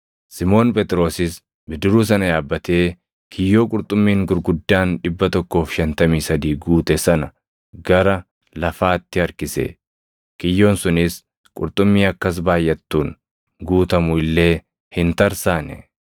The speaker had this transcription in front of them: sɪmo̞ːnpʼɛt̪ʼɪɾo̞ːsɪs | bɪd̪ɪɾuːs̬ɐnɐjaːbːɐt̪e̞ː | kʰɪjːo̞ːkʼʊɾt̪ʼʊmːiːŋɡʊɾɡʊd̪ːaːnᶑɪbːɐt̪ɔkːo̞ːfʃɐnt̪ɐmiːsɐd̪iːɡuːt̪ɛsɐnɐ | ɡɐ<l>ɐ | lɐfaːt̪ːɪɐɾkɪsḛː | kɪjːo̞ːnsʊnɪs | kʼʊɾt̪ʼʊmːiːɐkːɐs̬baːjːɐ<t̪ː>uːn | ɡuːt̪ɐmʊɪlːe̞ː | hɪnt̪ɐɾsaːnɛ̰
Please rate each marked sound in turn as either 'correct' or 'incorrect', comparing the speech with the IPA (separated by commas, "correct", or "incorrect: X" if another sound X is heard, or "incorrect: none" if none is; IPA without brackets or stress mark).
incorrect: ɾ, correct